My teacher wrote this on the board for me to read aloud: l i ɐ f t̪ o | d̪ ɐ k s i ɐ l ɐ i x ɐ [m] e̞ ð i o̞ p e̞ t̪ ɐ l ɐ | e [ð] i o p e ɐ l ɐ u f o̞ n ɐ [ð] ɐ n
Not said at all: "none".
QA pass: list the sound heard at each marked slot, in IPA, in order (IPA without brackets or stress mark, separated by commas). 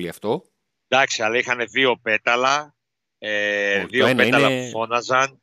n, ð, z